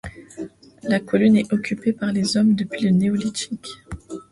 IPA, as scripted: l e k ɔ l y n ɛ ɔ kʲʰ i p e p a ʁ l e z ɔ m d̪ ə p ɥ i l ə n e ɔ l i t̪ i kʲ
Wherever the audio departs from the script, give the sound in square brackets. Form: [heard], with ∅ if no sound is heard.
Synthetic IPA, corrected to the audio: l [a] k ɔ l y n ɛ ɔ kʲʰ [y] p e p a ʁ l e z ɔ m d̪ ə p ɥ i l ə n e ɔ l i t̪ i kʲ